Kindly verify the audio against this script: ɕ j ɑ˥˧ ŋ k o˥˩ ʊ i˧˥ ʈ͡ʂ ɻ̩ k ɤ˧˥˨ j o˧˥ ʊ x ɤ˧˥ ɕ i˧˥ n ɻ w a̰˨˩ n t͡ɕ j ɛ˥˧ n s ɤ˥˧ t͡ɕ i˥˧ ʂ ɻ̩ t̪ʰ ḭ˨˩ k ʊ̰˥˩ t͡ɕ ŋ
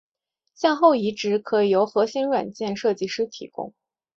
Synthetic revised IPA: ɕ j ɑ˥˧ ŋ x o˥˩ ʊ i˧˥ ʈ͡ʂ ɻ̩ kʰ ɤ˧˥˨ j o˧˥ ʊ x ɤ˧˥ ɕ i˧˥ n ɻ w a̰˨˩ n t͡ɕ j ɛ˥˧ n ʂ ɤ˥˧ t͡ɕ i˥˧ ʂ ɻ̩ t̪ʰ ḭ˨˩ k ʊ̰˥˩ ŋ